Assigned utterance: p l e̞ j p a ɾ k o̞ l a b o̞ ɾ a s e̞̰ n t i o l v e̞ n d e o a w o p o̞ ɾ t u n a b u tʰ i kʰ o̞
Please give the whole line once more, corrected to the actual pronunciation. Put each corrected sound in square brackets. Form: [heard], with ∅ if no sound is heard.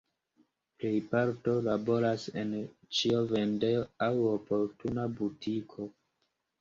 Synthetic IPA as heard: p l e̞ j p a ɾ [t] o̞ l a b o̞ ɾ a s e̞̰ n [t͡ʃ] i o [∅] v e̞ n d e o a w o p o̞ ɾ t u n a b u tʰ i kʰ o̞